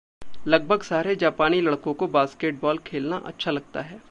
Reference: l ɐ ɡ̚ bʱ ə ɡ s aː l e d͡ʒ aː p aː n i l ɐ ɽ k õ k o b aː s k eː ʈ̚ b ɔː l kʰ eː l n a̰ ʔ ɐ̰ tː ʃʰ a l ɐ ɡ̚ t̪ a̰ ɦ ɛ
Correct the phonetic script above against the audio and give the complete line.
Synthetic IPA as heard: l ɐ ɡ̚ bʱ ə ɡ s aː ɾ e d͡ʒ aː p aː n i l ɐ ɽ k õ k o b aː s k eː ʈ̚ b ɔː l kʰ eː l n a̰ ʔ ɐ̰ tː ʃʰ a l ɐ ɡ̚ t̪ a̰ ɦ ɛː